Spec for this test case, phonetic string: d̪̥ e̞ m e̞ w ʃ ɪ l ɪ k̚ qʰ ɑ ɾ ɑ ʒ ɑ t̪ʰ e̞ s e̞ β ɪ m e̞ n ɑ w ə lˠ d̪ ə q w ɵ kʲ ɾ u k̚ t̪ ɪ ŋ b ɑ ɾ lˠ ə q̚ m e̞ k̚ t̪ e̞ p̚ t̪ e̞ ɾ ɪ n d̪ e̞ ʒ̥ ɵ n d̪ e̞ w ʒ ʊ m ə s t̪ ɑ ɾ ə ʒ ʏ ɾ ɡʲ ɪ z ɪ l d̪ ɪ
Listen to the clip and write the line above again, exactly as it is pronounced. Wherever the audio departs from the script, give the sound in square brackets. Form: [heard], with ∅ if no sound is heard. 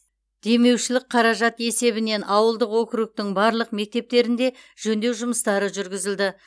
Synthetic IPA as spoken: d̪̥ e̞ m e̞ w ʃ ɪ l ɪ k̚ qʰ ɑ ɾ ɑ ʒ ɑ [t̪] e̞ s e̞ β ɪ [n] e̞ n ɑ w ə lˠ d̪ ə q w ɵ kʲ ɾ u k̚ t̪ ɪ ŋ b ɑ ɾ lˠ ə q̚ m e̞ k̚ t̪ e̞ p̚ t̪ e̞ ɾ ɪ n d̪ e̞ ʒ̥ ɵ n d̪ e̞ w ʒ ʊ m ə s t̪ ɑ ɾ ə ʒ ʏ ɾ ɡʲ ɪ z ɪ l d̪ ɪ